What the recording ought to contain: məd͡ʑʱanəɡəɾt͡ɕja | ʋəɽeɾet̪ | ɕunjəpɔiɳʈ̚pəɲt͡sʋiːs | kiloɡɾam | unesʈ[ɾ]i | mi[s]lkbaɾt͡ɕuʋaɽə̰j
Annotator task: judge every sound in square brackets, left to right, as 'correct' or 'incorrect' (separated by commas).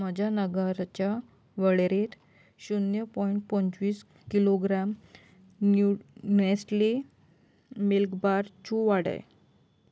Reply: incorrect, incorrect